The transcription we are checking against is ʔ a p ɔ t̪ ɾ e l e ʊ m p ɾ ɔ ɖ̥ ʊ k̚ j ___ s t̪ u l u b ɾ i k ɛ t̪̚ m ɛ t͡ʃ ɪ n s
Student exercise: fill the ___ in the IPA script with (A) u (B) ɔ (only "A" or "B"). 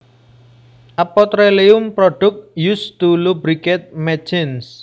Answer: A